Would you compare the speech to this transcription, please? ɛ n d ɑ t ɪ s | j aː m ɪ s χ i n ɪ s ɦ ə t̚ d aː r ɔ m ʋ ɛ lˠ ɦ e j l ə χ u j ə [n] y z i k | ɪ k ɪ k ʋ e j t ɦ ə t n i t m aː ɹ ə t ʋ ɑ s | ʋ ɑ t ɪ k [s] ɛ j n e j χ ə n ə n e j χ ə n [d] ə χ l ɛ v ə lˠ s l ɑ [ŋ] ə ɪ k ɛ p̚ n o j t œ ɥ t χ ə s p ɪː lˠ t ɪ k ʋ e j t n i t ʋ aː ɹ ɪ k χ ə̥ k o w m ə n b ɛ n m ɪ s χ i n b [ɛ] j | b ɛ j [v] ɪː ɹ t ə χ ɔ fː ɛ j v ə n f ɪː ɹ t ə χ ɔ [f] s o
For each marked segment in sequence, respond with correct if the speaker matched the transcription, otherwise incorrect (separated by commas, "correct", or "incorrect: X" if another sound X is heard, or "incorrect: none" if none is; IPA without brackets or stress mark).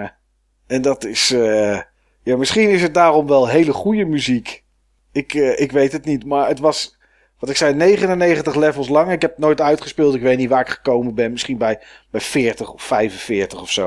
incorrect: m, correct, incorrect: t, correct, correct, incorrect: f, correct